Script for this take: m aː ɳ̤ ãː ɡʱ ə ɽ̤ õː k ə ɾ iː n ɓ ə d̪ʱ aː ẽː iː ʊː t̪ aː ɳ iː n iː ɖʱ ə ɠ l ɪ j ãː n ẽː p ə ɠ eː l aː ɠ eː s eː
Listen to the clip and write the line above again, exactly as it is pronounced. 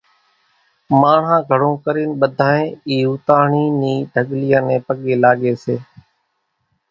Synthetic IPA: m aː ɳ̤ ãː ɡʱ ə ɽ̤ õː k ə ɾ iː n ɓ ə d̪ʱ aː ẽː iː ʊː t̪ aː ɳ iː n iː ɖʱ ə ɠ l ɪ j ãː n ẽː p ə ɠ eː l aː ɠ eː s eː